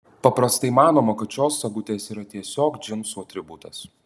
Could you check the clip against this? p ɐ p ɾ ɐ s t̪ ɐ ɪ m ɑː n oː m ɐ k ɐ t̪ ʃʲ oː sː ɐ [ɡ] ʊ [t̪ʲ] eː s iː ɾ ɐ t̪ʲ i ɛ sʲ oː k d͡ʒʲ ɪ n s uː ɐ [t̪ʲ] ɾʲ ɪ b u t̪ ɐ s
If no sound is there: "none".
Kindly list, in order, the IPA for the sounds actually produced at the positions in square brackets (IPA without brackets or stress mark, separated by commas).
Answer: ɡ, t̪ʲ, t̪ʲ